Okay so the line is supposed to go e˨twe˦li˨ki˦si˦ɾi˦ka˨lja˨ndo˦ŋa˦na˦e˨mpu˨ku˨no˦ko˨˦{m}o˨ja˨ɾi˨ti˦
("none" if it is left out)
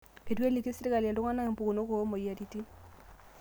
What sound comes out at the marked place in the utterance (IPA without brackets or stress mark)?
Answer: m